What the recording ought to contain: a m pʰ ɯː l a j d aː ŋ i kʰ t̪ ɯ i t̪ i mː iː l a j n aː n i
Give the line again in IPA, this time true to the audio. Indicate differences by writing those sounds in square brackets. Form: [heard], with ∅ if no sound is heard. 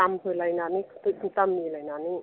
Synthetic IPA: a m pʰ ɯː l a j [n] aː [n] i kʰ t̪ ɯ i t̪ [a] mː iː l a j n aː n i